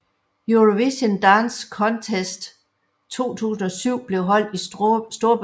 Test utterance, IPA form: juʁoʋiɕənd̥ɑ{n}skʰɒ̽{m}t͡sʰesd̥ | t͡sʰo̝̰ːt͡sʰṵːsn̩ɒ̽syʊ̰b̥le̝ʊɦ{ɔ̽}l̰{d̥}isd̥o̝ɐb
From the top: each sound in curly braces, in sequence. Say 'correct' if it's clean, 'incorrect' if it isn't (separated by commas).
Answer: correct, incorrect, incorrect, correct